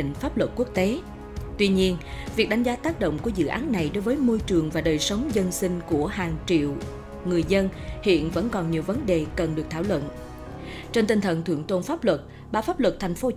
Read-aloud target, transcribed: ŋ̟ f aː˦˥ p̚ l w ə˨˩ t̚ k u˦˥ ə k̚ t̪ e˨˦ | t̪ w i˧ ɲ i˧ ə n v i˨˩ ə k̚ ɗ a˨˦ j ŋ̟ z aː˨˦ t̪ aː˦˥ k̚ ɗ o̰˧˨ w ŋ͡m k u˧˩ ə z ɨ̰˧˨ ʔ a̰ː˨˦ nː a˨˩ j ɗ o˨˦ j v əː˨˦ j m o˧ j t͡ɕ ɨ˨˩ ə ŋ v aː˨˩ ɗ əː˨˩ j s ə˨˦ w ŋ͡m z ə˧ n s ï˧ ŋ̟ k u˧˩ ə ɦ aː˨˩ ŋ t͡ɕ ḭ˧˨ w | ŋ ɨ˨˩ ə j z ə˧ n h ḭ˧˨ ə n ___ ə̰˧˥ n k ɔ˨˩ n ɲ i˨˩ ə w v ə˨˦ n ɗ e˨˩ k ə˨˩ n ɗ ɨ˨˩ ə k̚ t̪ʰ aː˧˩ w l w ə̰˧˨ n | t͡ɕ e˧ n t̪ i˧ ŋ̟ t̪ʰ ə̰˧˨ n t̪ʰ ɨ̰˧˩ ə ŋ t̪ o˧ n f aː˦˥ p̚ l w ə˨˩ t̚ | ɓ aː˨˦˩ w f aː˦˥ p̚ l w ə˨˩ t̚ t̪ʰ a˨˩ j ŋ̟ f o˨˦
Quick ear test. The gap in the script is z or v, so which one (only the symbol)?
v